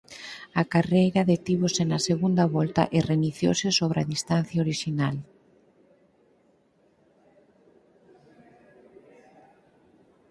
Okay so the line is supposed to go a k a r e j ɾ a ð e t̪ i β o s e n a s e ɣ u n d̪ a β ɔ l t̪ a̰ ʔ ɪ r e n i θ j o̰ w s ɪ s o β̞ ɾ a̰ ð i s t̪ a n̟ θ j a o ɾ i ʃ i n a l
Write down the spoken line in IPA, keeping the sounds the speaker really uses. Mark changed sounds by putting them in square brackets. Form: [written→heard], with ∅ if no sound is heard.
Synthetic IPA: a k a r e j ɾ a ð e t̪ i β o s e n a s e ɣ u n d̪ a β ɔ l t̪ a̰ ʔ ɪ r e n i θ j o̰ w s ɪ s o β̞ ɾ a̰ ð i s t̪ a n̟ θ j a o ɾ i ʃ i n a l